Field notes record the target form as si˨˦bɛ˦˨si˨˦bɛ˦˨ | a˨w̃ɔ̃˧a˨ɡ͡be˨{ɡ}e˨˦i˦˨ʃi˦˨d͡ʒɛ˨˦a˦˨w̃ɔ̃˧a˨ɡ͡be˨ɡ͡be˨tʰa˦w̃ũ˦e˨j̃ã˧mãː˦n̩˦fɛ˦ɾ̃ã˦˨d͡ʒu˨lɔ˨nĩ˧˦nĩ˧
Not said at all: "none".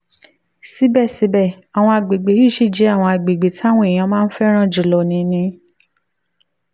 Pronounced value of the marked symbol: ɡ͡b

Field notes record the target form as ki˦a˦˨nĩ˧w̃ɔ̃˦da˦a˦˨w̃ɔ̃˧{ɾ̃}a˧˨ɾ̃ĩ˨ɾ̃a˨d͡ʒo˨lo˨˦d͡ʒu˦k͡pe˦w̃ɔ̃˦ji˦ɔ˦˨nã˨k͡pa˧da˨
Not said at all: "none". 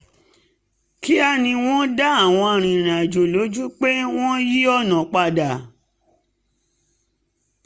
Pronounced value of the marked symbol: none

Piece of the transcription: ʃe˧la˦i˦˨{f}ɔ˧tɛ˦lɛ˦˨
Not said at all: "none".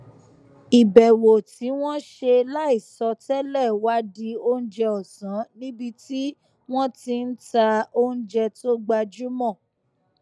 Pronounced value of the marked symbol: s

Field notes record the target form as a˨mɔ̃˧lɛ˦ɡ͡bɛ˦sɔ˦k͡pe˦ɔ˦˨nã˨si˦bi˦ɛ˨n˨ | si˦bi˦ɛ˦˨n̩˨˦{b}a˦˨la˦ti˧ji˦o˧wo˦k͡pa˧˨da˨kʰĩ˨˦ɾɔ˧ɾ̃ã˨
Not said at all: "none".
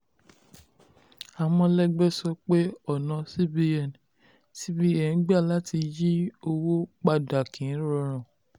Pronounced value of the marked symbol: ɡ͡b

